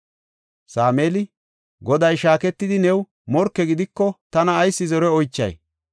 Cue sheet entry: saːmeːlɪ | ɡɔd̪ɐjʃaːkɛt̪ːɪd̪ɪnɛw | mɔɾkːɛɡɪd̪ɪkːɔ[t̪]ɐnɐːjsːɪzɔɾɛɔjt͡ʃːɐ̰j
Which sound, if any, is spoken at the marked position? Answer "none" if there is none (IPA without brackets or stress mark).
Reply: t̪